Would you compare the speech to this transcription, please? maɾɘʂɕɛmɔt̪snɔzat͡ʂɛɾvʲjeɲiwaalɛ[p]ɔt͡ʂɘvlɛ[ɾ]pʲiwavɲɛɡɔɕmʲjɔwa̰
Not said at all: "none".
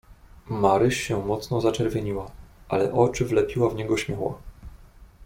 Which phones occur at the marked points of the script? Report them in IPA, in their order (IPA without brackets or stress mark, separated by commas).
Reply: ʔ, none